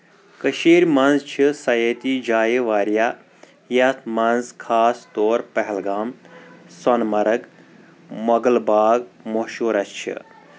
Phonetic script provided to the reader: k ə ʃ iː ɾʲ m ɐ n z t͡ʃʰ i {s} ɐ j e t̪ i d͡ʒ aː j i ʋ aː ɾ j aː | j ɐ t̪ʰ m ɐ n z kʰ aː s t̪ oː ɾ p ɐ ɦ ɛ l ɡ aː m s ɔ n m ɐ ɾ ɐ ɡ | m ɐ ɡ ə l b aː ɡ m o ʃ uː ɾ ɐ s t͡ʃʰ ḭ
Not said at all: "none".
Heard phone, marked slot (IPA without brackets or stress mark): s